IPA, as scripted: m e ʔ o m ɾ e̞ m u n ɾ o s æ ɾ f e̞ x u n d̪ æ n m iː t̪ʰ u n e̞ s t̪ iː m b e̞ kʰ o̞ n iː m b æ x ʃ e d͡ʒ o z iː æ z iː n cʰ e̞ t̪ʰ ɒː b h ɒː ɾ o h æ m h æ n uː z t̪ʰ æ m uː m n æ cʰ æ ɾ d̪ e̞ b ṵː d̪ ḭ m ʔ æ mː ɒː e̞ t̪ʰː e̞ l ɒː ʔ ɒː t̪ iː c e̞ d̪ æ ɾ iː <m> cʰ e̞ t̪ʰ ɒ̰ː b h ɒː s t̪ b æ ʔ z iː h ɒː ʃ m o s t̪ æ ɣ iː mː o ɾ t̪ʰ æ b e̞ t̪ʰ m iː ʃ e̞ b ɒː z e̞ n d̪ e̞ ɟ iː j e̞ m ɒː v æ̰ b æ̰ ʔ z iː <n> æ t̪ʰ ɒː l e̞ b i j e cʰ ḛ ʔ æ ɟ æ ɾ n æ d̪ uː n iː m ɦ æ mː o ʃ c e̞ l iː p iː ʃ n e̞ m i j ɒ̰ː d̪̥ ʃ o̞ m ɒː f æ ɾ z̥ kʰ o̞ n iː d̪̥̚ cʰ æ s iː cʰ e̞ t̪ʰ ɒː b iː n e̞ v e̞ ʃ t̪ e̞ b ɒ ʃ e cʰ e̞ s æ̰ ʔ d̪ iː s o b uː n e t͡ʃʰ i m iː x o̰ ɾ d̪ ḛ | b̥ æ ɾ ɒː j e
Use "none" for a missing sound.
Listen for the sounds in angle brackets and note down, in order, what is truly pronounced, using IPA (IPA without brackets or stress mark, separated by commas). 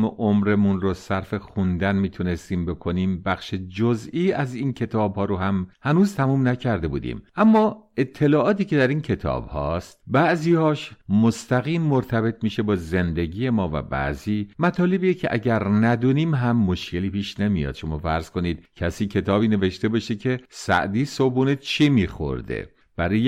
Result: n, m